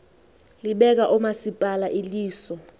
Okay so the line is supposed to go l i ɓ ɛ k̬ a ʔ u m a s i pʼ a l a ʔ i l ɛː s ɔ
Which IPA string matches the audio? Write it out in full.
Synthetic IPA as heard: l i ɓ ɛ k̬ a ʔ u m a s i pʼ a l a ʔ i l iː s ɔ